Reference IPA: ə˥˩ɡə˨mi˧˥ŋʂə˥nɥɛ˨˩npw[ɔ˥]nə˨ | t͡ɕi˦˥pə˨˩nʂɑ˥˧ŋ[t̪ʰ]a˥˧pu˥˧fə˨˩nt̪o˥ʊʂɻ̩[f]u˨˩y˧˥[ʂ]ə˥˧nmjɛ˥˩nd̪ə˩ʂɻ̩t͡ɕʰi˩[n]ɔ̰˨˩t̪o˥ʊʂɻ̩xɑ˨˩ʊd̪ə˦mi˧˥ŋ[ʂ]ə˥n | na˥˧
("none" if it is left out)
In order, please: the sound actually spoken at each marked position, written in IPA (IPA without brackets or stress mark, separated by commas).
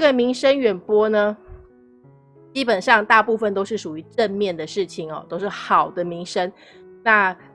ɔ˥, t̪, ʂ, ʈ͡ʂ, ŋ, ʂ